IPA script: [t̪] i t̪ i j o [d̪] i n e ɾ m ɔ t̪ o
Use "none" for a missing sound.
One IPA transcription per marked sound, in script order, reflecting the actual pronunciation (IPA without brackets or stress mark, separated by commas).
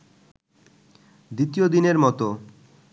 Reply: d̪, d̪